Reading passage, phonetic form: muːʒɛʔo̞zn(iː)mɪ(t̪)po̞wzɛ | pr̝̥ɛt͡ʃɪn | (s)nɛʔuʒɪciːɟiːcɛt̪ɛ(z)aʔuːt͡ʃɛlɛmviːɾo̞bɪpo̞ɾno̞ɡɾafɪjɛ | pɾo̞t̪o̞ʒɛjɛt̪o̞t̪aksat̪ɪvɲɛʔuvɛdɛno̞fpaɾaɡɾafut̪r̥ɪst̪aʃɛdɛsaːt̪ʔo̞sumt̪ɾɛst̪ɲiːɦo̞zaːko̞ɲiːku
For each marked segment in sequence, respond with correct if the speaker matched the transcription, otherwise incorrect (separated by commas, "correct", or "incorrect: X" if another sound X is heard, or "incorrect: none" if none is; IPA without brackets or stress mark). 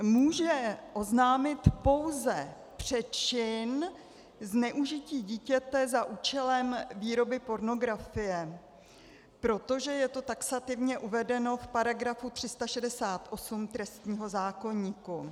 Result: incorrect: aː, correct, incorrect: z, correct